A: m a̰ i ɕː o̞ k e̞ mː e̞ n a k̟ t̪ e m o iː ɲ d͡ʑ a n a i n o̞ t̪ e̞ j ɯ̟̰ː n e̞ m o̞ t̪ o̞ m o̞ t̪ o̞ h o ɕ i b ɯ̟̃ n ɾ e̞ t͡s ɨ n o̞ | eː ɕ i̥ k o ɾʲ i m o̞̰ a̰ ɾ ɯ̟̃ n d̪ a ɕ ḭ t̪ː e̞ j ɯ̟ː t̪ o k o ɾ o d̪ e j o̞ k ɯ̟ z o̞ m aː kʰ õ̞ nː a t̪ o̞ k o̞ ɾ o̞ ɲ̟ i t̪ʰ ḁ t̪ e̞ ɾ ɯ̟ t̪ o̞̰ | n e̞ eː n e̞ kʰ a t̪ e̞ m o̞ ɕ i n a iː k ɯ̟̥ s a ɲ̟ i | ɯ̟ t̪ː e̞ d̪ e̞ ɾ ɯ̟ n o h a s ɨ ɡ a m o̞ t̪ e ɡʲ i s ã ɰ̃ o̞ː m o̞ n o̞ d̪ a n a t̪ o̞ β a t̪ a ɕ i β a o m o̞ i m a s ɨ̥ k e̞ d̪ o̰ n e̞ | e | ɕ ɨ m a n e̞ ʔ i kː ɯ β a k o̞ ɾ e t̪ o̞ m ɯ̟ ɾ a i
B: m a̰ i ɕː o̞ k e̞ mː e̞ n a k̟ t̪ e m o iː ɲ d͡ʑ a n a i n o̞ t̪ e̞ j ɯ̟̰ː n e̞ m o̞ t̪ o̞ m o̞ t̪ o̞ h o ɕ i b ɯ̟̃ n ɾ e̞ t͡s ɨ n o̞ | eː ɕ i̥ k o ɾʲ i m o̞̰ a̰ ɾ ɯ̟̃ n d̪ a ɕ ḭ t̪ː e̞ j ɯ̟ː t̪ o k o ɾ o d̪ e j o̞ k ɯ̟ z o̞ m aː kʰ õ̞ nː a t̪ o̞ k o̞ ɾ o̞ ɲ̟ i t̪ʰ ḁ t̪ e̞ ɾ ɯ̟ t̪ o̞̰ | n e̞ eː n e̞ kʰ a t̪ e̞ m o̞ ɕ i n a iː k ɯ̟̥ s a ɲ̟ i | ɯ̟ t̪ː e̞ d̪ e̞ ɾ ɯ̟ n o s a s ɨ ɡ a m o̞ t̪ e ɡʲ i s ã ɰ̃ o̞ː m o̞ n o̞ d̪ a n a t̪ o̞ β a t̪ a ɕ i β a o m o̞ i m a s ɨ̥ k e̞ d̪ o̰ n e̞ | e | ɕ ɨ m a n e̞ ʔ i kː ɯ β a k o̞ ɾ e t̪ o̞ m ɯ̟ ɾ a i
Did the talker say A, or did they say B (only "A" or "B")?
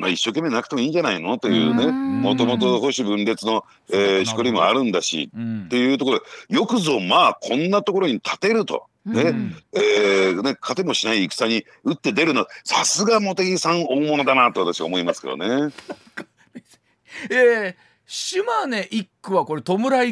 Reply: B